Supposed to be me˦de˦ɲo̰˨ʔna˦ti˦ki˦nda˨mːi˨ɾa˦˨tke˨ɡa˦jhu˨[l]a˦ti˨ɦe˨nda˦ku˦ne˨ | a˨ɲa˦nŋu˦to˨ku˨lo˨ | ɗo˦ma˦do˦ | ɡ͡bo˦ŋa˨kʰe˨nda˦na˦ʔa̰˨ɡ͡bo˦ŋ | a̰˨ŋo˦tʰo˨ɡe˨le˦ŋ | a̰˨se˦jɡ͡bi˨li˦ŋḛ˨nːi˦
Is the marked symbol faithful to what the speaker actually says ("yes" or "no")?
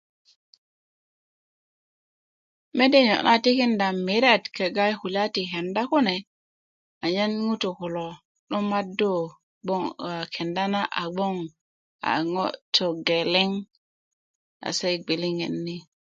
yes